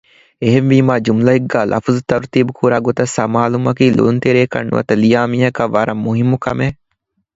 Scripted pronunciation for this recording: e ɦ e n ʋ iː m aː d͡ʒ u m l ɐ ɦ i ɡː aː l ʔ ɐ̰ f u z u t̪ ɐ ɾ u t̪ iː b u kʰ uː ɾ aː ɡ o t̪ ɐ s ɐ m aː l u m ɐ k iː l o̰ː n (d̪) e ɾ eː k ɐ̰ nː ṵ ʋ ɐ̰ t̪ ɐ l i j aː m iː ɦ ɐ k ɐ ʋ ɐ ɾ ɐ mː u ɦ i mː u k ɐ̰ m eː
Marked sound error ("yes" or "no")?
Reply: yes